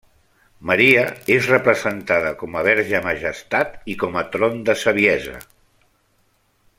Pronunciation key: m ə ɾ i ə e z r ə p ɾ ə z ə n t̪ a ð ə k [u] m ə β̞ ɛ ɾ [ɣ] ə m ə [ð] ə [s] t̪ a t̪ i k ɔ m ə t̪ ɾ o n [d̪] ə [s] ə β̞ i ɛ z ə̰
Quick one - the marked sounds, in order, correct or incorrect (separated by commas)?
incorrect, incorrect, incorrect, correct, correct, correct